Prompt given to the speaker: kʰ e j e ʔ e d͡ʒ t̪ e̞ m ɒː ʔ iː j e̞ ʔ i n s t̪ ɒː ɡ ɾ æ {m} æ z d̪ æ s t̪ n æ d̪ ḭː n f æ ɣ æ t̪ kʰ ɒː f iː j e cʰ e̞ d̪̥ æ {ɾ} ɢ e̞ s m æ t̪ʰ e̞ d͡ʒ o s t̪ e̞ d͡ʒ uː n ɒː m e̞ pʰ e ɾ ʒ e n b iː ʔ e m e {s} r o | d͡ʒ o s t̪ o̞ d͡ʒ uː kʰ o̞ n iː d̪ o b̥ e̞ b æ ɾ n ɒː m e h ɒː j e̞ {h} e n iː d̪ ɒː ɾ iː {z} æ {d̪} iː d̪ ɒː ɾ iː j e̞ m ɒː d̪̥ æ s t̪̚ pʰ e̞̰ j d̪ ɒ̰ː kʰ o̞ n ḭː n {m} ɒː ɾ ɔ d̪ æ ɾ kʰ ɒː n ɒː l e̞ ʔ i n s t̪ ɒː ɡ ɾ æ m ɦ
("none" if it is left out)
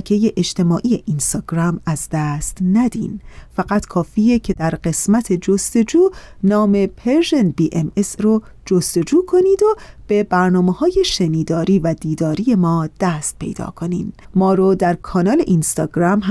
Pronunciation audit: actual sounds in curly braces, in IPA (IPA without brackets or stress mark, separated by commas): m, ɾ, s, ʃ, v, d̪, m